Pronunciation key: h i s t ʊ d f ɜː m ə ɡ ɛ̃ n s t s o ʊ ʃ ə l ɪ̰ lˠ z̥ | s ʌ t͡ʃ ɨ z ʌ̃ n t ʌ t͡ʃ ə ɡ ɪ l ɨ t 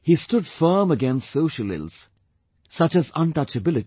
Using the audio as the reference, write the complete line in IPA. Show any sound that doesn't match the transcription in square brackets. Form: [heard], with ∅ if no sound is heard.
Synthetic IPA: h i s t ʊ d f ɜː m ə ɡ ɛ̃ n s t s o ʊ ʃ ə l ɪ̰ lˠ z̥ | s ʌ t͡ʃ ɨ z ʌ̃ n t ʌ t͡ʃ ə [b] ɪ l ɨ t